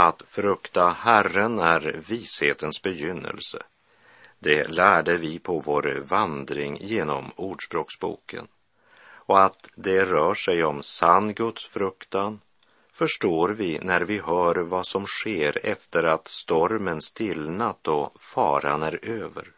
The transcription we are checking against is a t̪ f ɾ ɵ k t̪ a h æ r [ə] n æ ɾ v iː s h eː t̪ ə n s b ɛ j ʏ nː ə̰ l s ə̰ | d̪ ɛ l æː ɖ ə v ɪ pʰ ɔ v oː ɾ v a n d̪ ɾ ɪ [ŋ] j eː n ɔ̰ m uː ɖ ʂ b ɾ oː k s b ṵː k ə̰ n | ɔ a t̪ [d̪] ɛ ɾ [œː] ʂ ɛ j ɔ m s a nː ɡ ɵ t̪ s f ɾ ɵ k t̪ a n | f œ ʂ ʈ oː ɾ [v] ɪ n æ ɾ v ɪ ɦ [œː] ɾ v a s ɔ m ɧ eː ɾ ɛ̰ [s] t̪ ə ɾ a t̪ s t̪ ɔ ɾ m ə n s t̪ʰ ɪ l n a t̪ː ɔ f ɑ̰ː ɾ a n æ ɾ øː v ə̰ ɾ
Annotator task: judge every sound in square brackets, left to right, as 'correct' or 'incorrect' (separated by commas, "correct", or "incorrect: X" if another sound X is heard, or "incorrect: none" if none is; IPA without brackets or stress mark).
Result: correct, correct, correct, correct, correct, correct, incorrect: f